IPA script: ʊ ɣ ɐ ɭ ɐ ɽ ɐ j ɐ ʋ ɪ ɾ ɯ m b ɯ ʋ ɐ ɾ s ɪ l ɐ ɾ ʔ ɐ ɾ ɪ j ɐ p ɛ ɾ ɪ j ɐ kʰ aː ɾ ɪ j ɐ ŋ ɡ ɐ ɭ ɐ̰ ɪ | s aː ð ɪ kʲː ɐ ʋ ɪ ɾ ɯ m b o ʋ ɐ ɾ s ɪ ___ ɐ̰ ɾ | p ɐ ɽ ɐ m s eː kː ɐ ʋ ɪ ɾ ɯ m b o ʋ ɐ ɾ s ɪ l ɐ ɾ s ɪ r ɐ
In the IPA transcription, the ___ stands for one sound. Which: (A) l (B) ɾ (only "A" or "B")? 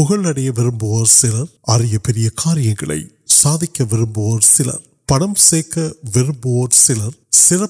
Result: A